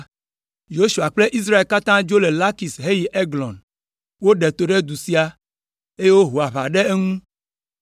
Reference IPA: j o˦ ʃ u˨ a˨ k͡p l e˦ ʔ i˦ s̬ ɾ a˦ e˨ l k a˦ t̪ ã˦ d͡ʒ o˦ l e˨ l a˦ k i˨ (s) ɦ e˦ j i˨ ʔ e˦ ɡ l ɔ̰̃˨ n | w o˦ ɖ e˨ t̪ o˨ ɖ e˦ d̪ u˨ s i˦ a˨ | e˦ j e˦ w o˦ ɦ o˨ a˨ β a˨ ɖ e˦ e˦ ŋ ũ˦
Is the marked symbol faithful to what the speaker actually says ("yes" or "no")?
yes